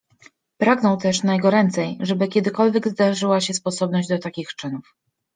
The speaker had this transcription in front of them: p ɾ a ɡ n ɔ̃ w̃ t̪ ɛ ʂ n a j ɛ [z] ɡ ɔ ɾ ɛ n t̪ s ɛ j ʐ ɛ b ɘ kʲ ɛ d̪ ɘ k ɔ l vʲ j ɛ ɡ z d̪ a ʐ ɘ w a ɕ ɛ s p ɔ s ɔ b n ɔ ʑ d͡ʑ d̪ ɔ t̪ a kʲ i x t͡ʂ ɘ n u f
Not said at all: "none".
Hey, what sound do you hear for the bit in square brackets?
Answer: none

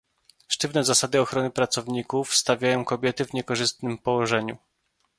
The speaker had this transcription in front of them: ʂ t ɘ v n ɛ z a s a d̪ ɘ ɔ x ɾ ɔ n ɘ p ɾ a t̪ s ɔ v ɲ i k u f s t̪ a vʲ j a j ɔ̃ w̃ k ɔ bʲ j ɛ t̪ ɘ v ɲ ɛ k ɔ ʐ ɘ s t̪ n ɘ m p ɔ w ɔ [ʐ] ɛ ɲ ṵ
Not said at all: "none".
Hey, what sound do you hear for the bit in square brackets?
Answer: ʐ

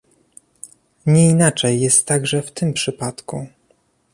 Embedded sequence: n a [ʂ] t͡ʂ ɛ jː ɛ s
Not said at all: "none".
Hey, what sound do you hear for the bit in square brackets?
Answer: none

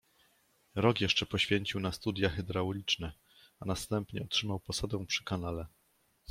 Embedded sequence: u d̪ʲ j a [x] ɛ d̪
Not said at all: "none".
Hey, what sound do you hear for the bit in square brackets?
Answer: x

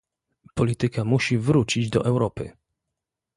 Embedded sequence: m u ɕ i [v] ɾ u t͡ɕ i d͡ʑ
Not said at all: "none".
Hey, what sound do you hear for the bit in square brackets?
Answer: v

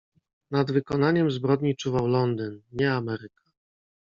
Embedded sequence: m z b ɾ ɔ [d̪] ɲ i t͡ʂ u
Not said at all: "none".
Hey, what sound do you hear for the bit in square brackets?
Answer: d̪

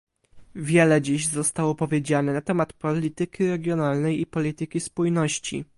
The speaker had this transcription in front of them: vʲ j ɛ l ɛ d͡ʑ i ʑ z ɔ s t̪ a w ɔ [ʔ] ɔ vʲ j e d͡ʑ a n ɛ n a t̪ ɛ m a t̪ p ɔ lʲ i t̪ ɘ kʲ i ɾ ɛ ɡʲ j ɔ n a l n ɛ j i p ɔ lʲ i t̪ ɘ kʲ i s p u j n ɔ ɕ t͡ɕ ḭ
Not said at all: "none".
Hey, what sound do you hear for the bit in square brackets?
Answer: p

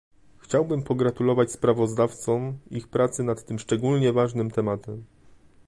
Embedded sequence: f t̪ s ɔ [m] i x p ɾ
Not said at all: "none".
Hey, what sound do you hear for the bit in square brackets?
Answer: m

